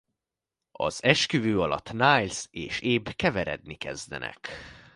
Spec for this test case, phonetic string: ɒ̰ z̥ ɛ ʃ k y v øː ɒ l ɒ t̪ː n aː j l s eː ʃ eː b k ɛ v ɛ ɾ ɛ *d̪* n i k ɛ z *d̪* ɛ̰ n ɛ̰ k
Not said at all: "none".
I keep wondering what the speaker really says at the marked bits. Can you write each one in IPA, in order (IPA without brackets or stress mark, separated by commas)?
d̪, d̪